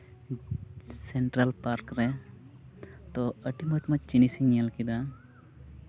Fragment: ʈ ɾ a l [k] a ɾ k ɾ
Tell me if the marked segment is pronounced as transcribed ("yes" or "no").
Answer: no